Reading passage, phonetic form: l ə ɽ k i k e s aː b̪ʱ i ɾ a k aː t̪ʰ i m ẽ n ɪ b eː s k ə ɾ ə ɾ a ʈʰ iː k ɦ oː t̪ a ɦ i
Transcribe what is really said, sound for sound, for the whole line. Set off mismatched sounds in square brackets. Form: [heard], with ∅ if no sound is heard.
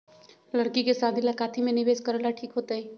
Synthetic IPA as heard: l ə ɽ k i k e s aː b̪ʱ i [l] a k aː t̪ʰ i m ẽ n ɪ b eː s k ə ɾ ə [l] a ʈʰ iː k ɦ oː t̪ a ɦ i